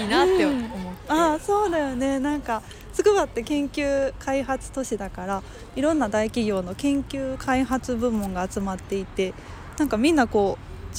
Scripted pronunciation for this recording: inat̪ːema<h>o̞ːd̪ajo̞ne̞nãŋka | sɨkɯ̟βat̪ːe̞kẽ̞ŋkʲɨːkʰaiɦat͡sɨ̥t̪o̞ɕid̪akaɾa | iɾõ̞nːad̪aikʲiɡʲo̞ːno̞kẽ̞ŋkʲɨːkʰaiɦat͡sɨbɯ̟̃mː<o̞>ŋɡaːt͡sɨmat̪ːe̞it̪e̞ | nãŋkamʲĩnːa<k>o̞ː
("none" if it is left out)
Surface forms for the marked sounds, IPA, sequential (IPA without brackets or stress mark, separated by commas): s, õ̞, k